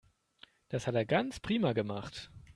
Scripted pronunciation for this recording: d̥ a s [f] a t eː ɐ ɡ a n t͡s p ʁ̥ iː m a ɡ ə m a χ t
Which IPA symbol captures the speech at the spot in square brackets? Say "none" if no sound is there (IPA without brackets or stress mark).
h